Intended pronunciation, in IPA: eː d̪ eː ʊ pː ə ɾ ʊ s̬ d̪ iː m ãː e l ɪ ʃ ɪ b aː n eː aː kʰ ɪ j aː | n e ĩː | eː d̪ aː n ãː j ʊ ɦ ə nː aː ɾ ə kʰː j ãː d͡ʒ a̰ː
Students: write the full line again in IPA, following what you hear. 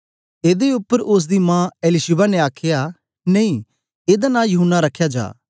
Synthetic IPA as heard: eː d̪ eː ʊ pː ə ɾ ʊ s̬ d̪ iː m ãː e l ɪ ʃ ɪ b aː n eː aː kʰ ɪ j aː | n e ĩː | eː d̪ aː n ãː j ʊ ɦ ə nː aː ɾ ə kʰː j aː d͡ʒ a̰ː